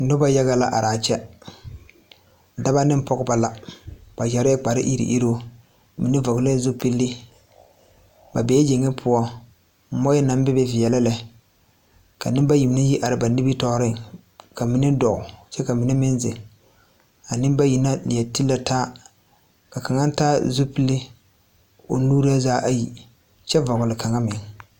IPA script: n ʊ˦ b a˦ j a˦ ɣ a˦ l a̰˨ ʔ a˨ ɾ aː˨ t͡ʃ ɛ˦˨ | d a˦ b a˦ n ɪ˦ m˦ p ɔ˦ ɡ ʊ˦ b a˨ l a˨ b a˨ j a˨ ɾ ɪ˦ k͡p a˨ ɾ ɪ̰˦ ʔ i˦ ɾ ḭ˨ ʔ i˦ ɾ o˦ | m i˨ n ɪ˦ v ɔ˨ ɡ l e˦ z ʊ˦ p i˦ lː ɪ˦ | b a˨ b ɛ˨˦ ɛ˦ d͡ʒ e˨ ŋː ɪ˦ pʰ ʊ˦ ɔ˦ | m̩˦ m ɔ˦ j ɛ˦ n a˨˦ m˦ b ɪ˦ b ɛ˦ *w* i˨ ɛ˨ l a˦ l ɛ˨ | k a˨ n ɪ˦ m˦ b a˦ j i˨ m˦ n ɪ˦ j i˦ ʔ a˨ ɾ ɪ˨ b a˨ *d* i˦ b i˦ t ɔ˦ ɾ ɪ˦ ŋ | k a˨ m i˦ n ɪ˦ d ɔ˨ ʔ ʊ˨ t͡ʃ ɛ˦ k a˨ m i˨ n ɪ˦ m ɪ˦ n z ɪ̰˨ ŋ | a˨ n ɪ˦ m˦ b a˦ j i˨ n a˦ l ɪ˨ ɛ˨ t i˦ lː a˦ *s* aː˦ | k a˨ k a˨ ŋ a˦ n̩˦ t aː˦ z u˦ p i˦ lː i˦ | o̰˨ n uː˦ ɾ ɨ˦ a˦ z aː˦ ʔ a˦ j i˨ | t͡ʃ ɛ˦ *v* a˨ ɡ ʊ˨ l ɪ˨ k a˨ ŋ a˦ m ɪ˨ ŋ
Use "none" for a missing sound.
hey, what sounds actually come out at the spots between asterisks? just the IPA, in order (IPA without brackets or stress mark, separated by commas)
v, n, t, v